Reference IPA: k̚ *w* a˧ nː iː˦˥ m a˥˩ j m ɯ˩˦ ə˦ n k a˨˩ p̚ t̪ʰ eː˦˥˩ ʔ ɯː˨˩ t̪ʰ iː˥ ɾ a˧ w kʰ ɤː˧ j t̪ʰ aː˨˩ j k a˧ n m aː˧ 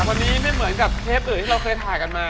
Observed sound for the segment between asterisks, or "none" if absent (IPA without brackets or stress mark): w